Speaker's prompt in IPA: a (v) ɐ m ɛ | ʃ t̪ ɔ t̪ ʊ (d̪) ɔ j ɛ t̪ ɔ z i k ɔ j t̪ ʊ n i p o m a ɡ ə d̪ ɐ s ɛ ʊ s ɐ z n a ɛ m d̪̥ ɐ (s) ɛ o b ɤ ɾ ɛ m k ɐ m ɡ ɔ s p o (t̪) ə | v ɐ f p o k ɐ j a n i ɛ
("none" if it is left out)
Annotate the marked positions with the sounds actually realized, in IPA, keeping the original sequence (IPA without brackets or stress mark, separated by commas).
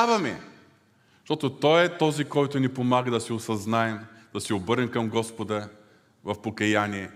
v, t̪, s, d̪